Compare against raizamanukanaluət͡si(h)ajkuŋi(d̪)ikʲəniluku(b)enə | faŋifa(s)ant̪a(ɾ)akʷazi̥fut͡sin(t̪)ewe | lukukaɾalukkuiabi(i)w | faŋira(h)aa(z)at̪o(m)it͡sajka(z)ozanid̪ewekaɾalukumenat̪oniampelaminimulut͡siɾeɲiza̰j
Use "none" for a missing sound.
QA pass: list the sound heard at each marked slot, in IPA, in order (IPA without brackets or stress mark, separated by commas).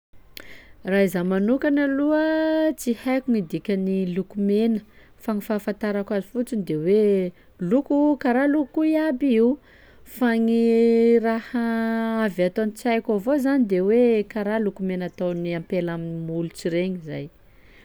h, d̪, m, f, ɾ, d̪, i, h, v, n, v